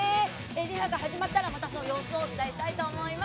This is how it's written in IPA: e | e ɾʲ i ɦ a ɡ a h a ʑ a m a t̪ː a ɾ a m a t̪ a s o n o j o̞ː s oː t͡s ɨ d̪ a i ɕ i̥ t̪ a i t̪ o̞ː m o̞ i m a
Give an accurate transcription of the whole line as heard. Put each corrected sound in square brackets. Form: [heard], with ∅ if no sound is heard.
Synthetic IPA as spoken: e | e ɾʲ i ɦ a ɡ a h a ʑ [i] m a t̪ː a ɾ a m a t̪ a s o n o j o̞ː s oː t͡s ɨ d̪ a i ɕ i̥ t̪ a i t̪ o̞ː m o̞ i m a